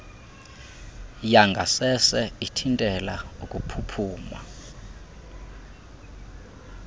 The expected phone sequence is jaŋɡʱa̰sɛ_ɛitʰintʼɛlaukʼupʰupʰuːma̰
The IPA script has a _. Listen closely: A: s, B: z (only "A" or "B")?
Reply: A